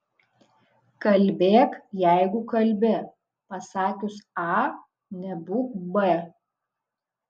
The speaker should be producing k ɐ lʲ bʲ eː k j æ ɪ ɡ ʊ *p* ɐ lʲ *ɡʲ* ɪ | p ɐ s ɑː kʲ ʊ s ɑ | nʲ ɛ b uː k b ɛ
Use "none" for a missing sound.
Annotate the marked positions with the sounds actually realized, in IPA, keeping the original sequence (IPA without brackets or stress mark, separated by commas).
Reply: k, bʲ